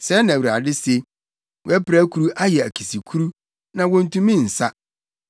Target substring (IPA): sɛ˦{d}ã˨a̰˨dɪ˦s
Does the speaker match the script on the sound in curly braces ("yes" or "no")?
no